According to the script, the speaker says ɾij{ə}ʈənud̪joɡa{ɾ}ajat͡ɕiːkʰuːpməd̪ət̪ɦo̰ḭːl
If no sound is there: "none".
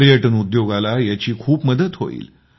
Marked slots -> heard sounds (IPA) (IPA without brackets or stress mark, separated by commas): ə, l